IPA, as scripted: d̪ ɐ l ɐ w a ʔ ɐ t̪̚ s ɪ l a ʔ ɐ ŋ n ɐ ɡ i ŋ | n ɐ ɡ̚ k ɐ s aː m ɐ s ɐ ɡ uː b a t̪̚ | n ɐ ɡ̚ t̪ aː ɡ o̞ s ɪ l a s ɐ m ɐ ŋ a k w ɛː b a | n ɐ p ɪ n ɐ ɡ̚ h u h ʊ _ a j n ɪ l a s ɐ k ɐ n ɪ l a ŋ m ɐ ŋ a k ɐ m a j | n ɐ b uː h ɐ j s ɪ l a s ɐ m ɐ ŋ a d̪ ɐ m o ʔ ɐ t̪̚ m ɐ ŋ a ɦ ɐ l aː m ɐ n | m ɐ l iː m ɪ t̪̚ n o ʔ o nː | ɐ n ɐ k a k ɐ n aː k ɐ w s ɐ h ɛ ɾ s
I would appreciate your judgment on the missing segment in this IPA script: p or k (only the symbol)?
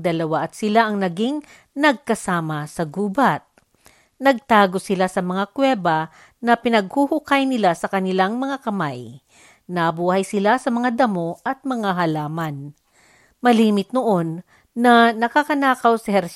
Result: k